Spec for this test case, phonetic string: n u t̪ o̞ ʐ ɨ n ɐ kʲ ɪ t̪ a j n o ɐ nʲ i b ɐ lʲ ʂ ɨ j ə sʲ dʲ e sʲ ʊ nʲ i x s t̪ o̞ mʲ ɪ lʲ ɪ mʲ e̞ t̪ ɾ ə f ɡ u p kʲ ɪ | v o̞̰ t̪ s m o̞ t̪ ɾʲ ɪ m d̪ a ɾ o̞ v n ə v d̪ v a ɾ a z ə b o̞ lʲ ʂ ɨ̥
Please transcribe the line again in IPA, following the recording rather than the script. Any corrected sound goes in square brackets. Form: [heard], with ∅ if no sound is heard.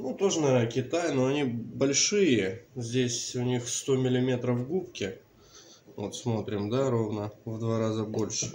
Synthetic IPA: n u t̪ o̞ ʐ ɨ n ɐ kʲ ɪ t̪ a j n o ɐ nʲ i b ɐ lʲ ʂ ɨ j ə [zʲ] dʲ e sʲ ʊ nʲ i x s t̪ o̞ mʲ ɪ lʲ ɪ mʲ e̞ t̪ ɾ ə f ɡ u p kʲ ɪ | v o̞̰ t̪ s m o̞ t̪ ɾʲ ɪ m d̪ a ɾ o̞ v n ə v d̪ v a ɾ a z ə b o̞ lʲ ʂ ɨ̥